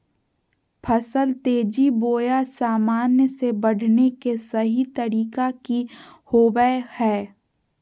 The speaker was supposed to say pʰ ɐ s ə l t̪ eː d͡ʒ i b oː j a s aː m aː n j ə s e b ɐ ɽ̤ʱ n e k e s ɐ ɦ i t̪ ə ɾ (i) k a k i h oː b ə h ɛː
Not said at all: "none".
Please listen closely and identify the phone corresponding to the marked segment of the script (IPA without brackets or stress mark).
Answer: iː